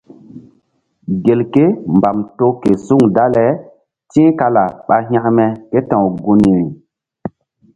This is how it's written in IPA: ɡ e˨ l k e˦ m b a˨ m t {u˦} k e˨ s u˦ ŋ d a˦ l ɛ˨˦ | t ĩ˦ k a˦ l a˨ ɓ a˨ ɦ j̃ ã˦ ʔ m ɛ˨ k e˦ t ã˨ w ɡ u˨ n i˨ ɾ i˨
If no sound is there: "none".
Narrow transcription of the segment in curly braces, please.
o˦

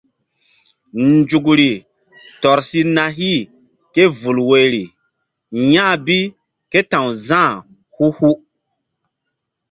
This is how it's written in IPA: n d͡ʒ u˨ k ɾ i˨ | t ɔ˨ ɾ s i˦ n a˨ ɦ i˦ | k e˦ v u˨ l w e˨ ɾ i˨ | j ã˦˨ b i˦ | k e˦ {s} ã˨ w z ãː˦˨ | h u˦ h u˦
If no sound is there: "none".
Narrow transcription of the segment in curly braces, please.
t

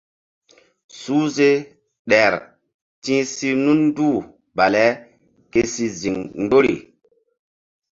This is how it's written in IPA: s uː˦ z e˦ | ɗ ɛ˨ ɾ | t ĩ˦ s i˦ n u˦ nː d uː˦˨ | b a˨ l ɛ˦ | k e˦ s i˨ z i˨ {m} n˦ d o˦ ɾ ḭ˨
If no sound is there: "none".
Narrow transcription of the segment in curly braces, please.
ŋ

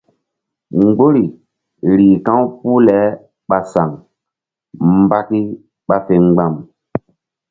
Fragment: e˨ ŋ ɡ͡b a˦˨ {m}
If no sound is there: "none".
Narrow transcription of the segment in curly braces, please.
m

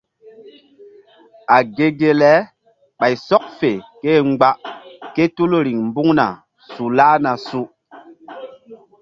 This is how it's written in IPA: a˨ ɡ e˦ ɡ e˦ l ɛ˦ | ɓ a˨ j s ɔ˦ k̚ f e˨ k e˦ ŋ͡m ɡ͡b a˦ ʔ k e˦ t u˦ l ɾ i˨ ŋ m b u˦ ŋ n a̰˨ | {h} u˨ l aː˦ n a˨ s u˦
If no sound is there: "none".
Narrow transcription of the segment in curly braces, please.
s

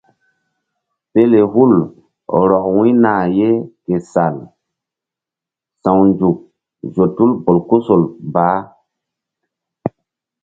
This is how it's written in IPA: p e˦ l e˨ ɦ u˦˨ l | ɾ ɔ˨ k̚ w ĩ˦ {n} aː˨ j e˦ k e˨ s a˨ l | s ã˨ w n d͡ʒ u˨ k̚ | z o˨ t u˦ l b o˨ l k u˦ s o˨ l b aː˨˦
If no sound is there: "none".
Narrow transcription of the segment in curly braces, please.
n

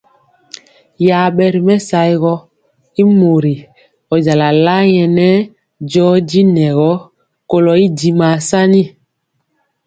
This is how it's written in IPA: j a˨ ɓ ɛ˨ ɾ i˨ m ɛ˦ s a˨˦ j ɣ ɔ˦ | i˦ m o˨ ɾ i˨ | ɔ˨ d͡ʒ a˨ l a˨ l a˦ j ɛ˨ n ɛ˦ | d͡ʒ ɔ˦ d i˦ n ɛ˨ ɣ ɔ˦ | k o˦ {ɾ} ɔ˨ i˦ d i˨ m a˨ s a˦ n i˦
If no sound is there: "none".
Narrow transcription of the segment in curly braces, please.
l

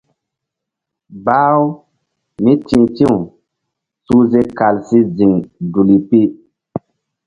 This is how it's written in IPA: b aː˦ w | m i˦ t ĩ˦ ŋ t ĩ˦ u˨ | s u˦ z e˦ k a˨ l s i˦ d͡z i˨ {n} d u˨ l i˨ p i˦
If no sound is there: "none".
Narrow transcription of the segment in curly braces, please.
ŋ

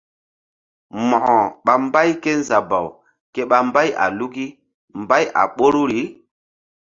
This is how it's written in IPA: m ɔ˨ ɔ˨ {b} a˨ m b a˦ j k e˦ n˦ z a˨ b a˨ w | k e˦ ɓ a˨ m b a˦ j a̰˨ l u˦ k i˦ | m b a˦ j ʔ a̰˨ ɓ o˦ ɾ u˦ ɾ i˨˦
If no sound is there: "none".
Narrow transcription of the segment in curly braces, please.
ɓ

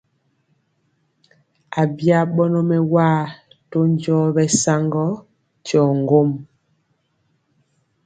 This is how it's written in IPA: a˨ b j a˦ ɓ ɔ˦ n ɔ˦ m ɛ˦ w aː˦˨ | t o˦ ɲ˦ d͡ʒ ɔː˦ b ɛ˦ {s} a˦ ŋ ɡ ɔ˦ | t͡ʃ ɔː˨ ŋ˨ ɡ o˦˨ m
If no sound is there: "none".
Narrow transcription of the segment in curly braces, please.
s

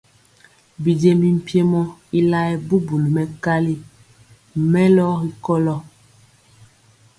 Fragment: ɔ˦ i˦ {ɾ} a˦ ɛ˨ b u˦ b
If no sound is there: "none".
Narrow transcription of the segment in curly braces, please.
l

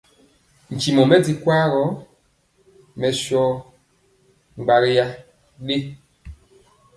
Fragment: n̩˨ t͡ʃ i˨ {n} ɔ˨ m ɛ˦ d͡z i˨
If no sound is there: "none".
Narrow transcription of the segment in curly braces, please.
m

